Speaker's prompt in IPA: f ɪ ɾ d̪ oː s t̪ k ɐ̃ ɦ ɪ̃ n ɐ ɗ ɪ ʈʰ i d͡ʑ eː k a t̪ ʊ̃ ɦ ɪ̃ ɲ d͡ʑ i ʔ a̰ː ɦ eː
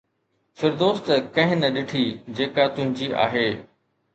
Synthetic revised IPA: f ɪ ɾ d̪ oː s t̪ k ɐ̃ ɦ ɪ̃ n ɐ ɗ ɪ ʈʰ i d͡ʑ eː k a t̪ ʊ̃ ɦ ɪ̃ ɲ d͡ʑ i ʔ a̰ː ɦ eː